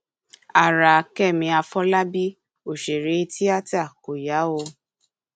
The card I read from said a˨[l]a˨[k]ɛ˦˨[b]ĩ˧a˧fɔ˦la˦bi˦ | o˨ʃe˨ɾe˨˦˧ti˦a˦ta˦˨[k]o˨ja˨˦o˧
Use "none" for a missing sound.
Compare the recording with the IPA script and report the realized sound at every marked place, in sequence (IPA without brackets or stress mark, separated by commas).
ɾ, k, m, k